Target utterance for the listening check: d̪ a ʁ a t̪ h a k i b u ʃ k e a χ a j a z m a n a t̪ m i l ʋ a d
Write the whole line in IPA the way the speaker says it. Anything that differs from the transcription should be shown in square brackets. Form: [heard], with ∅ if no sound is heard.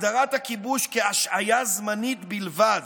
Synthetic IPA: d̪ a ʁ a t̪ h a k i b u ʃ k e a [ʃ] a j a z m a n [i] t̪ [b] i l [v] a d